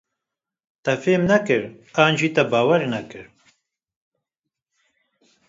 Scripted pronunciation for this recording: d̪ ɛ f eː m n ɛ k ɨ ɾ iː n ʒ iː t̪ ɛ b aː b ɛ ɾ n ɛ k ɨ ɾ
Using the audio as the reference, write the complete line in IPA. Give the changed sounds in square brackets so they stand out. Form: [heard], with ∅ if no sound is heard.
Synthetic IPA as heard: [t̪] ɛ f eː m n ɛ k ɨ ɾ [aː] n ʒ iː t̪ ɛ b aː [w] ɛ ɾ n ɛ k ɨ ɾ